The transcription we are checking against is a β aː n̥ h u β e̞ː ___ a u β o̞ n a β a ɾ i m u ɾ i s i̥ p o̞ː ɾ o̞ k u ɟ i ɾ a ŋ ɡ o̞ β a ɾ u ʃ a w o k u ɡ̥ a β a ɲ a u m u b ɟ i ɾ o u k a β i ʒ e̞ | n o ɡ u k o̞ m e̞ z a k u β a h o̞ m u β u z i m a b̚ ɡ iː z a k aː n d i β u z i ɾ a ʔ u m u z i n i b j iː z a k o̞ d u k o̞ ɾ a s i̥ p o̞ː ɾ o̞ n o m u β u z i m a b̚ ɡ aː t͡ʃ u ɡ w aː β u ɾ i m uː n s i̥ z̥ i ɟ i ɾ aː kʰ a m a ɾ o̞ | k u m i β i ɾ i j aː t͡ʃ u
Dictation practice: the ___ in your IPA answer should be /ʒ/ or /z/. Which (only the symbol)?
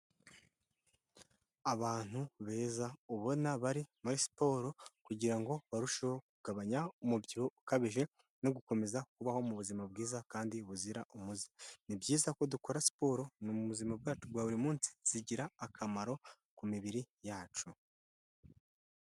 z